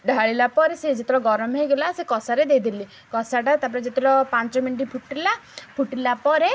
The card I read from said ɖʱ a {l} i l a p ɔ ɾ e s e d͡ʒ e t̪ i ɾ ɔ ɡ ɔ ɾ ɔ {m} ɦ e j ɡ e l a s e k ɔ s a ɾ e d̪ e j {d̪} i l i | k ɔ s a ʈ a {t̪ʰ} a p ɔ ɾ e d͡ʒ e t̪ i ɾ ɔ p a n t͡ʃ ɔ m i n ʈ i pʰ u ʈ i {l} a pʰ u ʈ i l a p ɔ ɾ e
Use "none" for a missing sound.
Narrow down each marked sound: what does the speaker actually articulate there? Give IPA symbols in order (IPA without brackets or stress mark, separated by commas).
ɭ, m, d̪, t̪, l